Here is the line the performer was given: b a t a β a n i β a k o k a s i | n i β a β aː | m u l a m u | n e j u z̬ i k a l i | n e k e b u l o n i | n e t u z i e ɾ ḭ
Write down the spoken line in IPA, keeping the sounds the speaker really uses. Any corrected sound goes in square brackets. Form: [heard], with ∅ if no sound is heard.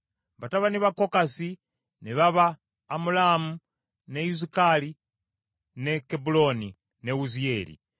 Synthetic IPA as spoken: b a t a β a n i β a k o k a s i | n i β a β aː | m u l a m u | n e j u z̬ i k a l i | n e k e b u l o n i | n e [∅] u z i e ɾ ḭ